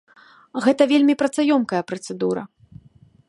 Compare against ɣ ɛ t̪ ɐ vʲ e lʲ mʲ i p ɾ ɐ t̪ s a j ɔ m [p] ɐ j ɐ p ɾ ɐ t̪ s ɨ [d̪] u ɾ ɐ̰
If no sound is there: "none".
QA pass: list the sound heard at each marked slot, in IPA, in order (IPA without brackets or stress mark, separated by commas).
k, d̪